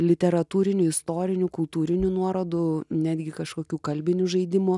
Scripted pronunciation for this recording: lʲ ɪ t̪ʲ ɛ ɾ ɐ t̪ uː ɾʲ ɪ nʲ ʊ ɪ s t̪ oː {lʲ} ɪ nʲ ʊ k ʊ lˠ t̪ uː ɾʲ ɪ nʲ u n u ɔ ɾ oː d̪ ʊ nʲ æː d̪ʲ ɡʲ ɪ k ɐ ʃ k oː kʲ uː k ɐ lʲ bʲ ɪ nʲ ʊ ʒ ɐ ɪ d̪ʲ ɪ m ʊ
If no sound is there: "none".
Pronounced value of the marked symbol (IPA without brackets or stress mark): ɾʲ